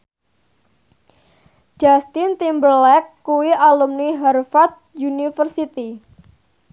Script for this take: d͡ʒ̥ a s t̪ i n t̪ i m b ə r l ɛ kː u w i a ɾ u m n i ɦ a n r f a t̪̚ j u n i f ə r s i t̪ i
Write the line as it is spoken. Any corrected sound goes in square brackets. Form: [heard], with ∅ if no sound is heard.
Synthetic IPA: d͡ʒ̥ a s t̪ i n t̪ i m b ə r l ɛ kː u w i a [l] u m n i ɦ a [∅] r f a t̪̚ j u n i f ə r s i t̪ i